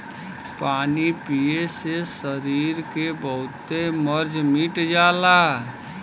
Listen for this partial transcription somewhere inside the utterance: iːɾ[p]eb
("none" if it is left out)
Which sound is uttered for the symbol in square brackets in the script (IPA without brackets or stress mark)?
k